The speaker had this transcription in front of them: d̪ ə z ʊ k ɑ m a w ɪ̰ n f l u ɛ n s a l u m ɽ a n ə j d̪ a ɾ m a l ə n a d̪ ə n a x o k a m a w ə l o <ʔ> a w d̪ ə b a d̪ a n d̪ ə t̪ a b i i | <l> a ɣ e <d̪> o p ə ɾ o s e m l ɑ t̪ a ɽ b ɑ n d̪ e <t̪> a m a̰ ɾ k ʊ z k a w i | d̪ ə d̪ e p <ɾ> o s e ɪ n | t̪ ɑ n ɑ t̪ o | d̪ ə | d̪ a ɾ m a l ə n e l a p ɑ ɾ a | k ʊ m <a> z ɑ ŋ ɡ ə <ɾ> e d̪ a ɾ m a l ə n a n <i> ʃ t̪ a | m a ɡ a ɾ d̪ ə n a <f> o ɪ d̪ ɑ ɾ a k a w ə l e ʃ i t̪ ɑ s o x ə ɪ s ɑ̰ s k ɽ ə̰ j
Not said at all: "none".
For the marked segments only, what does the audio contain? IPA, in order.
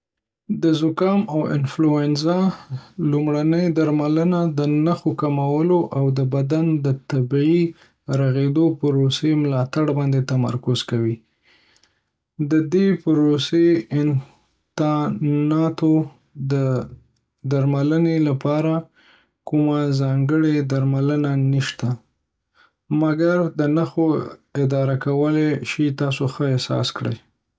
ʔ, ɾ, d̪, t̪, ɾ, a, ɽ, i, x

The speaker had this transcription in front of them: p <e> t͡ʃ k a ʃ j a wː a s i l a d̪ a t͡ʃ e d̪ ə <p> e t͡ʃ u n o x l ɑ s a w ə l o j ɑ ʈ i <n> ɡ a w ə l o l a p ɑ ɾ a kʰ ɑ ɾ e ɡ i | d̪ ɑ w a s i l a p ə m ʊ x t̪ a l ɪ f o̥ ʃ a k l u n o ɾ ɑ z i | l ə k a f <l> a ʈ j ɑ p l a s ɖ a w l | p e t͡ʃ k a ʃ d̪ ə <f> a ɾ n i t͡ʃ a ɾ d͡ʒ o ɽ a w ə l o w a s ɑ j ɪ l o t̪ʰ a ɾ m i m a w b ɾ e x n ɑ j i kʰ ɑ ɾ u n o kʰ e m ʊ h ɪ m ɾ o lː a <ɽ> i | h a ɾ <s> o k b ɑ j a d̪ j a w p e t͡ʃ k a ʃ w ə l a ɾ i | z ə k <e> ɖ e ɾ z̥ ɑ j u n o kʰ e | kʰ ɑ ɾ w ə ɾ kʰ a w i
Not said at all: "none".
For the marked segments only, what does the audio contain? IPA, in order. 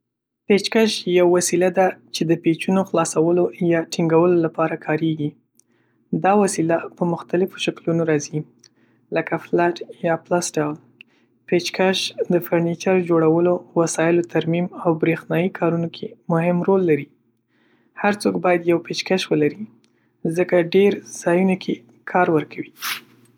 e, p, ŋ, l, f, ɾ, t͡s, a

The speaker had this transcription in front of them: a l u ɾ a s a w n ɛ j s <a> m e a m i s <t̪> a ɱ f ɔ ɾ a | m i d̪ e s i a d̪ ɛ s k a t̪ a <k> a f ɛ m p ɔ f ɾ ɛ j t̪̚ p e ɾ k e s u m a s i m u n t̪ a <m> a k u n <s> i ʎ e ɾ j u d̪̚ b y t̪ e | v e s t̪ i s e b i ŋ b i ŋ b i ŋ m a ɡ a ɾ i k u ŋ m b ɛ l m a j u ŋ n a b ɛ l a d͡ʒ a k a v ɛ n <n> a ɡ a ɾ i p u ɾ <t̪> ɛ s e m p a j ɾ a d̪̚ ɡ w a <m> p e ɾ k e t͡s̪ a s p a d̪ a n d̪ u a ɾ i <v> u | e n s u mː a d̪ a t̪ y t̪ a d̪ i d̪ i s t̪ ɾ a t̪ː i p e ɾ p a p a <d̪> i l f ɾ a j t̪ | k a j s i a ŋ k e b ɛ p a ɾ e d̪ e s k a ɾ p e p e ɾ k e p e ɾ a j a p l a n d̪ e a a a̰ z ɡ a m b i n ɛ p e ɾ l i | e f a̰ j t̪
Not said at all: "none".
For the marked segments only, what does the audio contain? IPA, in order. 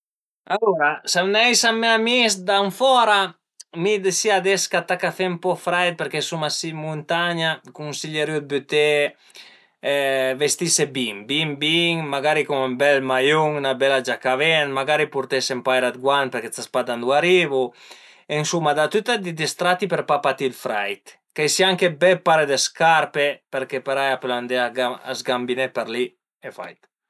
a, d̪, k, ɲ, s, m, t̪, n, v, t̪

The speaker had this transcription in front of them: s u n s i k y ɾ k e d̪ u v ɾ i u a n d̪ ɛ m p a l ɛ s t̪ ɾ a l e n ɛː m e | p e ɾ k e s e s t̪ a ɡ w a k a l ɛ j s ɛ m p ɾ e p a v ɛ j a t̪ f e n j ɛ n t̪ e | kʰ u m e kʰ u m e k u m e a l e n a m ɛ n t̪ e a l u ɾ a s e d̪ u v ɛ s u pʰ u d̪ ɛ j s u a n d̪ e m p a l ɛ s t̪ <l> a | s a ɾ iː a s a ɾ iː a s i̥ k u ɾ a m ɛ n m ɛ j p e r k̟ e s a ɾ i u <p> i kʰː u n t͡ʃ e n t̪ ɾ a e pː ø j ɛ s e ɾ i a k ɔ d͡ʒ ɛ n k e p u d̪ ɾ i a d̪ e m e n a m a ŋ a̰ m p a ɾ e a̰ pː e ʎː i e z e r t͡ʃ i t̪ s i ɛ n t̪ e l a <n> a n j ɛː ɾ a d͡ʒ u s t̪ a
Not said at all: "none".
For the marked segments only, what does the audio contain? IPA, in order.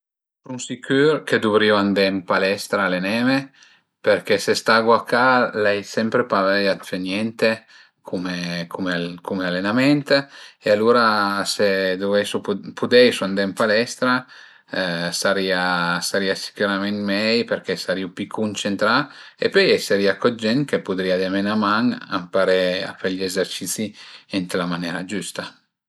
ɾ, p, m

